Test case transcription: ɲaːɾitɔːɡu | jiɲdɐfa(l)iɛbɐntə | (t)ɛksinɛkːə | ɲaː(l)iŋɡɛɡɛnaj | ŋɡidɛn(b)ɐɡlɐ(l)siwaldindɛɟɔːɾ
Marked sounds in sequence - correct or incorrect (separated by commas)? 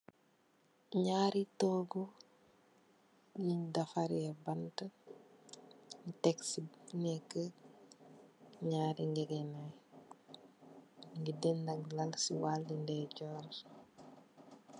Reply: incorrect, correct, incorrect, incorrect, correct